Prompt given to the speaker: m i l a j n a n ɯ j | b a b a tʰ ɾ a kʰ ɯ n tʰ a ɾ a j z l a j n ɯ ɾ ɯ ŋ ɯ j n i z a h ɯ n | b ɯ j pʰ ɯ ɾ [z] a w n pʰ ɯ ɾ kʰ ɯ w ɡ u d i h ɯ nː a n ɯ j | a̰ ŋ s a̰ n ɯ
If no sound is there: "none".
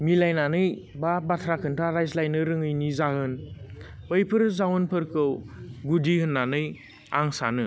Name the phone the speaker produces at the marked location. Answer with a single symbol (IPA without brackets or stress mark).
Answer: z